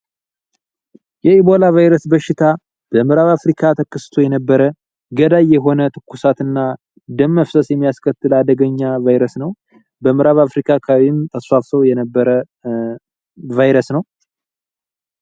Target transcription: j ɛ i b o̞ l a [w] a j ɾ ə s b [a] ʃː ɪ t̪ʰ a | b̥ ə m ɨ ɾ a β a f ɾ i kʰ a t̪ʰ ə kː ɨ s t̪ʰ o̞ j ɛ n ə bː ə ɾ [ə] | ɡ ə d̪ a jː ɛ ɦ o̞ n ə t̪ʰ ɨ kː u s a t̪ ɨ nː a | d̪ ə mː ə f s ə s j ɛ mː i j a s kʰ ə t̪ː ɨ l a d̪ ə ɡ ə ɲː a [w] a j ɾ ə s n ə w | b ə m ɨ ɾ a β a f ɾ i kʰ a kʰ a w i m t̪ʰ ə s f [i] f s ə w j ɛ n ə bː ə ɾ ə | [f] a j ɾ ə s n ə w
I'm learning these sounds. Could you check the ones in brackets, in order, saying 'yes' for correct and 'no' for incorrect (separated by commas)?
no, no, yes, no, no, no